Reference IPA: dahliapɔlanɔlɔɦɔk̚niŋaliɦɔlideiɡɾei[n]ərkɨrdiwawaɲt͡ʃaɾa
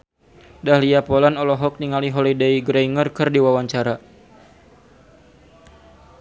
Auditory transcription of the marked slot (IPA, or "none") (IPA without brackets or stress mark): ŋ